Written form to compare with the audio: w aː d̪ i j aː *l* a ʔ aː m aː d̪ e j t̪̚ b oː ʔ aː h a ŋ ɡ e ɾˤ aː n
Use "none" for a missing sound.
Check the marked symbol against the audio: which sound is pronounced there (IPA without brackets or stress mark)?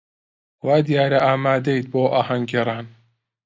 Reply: ɾ